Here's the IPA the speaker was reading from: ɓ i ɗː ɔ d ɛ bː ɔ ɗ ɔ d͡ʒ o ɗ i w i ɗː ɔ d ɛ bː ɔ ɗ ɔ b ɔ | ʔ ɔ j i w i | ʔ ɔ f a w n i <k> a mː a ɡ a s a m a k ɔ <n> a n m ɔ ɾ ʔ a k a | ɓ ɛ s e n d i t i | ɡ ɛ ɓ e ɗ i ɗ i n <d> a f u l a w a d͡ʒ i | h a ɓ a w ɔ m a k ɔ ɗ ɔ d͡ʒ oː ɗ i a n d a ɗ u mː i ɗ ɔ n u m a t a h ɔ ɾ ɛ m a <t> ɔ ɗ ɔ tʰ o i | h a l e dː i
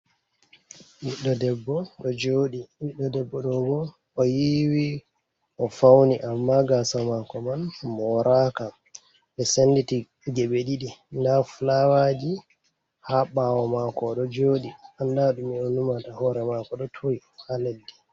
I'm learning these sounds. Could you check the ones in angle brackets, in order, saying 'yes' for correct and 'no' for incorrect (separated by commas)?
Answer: no, no, yes, no